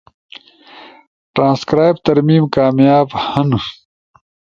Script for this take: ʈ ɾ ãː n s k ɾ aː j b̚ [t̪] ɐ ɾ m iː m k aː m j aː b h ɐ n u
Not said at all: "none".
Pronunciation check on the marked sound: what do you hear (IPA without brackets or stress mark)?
t̪